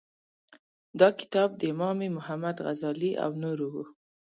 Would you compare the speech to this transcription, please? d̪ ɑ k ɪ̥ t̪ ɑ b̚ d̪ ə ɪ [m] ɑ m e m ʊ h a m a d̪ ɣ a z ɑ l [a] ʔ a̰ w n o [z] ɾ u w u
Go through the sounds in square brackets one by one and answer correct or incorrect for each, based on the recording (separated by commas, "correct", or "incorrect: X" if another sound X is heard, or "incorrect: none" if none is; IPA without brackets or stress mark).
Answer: correct, incorrect: i, incorrect: none